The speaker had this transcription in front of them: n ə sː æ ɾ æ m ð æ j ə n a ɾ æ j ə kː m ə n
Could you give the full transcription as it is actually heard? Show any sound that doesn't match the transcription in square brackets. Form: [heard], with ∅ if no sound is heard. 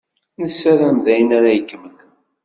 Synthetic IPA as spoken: n ə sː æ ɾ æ m ð æ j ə n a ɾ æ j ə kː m ə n